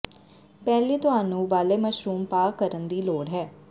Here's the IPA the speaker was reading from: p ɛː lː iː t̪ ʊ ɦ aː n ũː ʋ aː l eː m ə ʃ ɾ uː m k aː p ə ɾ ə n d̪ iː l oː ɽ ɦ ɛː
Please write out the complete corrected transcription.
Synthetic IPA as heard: p ɛː l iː t̪ ʊ ɦ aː n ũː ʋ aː l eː m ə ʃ ɾ uː m p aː k ə ɾ ə n d̪ iː l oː ɽ ɦ ɛː